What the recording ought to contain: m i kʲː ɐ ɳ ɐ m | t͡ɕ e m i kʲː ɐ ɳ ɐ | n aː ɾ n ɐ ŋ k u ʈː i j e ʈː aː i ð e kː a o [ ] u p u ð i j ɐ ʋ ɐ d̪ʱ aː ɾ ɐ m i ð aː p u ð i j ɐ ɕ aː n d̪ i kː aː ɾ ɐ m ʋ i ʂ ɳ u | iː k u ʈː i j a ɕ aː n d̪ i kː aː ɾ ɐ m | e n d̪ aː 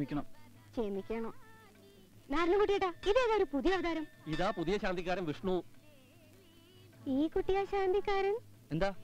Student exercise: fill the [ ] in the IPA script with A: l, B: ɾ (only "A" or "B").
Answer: B